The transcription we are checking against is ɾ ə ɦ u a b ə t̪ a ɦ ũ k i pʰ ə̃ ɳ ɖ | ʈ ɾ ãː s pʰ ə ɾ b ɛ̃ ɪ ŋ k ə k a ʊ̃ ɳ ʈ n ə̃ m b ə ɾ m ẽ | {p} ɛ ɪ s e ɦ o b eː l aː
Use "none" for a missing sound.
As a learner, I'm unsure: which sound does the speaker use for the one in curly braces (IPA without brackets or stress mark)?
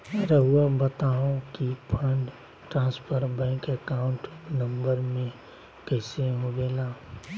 k